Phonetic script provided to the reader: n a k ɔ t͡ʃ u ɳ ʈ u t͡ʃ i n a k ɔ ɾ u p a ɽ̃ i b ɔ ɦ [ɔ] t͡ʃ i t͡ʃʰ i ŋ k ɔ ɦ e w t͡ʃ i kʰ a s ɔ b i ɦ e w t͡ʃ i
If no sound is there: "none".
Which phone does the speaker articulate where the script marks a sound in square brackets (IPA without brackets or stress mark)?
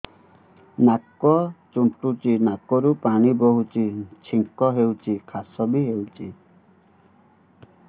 u